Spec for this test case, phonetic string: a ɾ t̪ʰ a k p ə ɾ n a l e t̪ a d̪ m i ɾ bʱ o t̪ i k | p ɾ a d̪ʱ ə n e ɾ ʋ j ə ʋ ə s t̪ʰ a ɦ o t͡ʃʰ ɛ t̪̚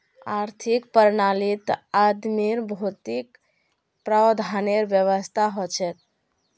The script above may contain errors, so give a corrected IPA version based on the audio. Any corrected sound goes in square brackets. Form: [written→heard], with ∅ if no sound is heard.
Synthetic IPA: a ɾ t̪ʰ [a→i] k p ə ɾ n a l [e→i] t̪ a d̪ m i ɾ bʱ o t̪ i k | p ɾ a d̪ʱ [ə→a] n e ɾ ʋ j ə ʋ ə s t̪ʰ a ɦ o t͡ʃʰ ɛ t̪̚